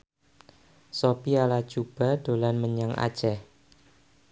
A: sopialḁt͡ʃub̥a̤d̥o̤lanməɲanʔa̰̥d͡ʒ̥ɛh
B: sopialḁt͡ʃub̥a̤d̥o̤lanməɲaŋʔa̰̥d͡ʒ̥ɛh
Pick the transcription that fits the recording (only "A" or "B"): B